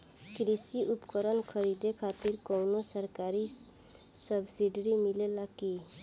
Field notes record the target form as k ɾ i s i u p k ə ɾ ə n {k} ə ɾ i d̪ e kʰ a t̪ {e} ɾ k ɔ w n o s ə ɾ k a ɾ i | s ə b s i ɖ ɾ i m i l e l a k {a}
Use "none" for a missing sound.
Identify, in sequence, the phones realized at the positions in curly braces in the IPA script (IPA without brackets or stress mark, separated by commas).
kʰ, i, i